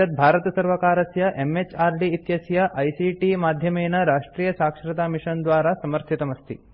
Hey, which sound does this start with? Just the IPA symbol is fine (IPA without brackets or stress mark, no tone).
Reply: ɐ